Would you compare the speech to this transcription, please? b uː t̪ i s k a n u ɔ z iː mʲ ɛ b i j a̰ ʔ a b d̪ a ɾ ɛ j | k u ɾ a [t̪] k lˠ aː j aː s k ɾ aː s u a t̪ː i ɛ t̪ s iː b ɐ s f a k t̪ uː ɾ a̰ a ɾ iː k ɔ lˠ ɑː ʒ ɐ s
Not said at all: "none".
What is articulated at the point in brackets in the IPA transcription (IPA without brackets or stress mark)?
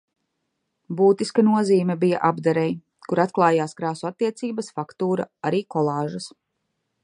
t̪